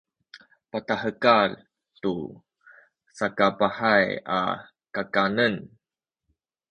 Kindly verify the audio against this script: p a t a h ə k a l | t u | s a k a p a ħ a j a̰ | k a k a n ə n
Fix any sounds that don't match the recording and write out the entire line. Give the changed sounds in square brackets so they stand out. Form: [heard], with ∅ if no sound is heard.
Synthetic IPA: p a t a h ə k a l | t u | s a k a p a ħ a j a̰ | k a k a n ə n